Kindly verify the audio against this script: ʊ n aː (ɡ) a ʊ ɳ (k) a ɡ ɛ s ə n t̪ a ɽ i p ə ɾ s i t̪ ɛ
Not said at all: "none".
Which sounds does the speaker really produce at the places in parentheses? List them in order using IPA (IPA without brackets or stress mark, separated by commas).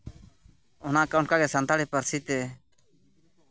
k, k